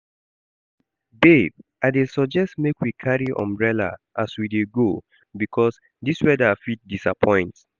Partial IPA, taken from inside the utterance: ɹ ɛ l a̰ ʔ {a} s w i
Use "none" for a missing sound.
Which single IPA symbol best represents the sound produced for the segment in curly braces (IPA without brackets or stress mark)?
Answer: a